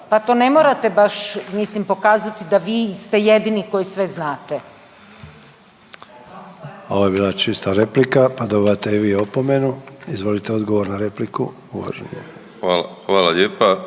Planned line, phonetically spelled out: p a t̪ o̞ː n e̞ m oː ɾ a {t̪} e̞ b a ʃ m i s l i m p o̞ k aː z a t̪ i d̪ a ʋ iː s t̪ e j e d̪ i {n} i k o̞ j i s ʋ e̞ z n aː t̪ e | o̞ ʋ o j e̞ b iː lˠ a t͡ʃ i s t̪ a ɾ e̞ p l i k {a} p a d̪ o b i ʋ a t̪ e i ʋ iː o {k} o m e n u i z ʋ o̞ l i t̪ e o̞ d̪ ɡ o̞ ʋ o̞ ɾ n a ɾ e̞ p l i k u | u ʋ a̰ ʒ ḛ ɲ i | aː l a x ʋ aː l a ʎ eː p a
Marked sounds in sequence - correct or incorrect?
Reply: correct, correct, correct, incorrect

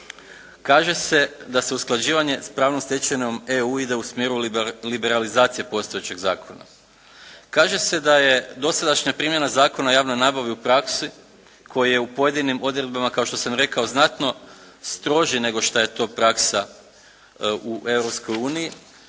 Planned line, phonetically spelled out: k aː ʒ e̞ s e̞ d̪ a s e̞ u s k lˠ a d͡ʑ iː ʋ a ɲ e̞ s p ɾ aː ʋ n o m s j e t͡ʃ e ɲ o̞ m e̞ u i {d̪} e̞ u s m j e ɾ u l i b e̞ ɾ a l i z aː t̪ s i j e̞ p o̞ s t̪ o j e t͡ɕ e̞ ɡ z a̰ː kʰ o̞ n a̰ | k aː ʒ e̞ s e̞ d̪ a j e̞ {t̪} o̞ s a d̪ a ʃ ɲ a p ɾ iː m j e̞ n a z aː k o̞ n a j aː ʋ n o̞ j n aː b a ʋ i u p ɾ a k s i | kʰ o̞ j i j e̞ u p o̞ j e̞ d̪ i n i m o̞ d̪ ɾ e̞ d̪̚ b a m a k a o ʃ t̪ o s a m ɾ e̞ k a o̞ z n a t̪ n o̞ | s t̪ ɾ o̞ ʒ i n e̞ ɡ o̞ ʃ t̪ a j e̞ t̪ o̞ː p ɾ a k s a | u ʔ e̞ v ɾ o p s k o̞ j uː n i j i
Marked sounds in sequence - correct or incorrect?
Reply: correct, incorrect

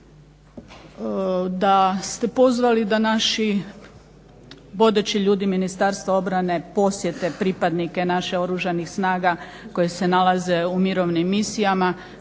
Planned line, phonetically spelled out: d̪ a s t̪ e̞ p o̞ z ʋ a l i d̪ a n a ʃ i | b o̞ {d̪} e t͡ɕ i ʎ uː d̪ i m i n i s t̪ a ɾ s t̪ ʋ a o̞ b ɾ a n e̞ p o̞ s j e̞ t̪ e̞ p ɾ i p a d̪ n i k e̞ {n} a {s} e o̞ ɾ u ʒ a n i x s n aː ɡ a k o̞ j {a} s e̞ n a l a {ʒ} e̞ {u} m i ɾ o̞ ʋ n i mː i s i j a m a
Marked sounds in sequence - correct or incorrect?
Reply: correct, correct, incorrect, incorrect, incorrect, correct

